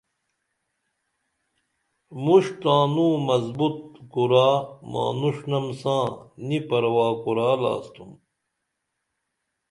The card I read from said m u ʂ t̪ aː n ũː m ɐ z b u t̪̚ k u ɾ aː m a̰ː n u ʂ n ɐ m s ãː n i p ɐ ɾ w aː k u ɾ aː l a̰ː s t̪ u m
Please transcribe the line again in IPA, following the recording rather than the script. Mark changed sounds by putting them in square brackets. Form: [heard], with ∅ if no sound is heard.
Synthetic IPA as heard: m u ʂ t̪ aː n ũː m ɐ z b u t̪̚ k u ɾ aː m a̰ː n u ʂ n ɐ m s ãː n i p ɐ ɾ w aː k u ɾ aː l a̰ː s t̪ u m